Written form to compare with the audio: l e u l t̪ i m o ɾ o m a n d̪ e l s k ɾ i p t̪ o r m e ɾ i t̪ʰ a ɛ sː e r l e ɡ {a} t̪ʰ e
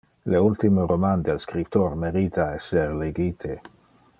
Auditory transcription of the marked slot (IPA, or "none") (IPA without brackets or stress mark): i